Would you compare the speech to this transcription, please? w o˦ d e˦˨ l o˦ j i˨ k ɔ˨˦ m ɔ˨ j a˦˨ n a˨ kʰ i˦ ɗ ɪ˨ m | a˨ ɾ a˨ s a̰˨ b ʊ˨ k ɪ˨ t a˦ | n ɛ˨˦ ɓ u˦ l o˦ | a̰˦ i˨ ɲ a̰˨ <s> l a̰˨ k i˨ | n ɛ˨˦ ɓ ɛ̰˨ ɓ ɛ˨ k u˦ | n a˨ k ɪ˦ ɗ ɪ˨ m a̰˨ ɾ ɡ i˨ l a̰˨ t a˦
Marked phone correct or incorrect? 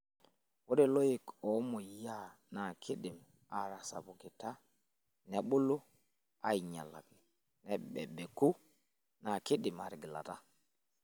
incorrect